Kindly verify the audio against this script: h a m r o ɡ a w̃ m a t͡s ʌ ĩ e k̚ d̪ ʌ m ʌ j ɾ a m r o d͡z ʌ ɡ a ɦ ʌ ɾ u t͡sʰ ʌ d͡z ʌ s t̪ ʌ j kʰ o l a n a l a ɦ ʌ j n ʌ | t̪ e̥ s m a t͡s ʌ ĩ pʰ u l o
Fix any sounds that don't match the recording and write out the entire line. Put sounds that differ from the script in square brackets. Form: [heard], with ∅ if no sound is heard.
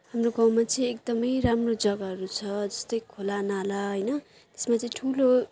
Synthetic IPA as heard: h a m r o ɡ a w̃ m a t͡s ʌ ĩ e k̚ d̪ ʌ m ʌ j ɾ a m r o d͡z ʌ ɡ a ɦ ʌ ɾ u t͡sʰ ʌ d͡z ʌ s t̪ ʌ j kʰ o l a n a l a ɦ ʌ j n ʌ | t̪ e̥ s m a t͡s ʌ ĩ [ʈʰ] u l o